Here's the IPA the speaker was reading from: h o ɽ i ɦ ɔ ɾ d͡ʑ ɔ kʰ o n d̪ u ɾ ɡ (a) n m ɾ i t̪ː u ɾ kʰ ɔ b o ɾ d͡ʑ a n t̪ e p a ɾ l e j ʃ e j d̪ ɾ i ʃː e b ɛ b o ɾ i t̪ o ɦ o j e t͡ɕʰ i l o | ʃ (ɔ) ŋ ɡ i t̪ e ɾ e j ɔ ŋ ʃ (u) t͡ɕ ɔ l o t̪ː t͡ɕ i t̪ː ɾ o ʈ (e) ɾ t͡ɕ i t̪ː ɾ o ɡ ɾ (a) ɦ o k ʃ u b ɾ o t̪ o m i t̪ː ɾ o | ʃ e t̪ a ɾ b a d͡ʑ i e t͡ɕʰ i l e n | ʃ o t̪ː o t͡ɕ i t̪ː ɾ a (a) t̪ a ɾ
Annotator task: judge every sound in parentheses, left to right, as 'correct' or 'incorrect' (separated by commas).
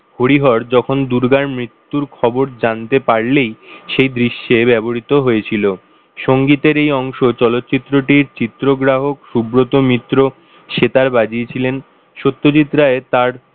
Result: correct, incorrect, incorrect, incorrect, correct, incorrect